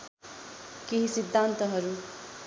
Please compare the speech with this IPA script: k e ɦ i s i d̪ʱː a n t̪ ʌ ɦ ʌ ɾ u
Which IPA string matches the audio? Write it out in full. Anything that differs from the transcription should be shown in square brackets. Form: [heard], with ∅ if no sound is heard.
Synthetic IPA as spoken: k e ɦ i s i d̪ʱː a n t̪ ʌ ɦ ʌ ɾ u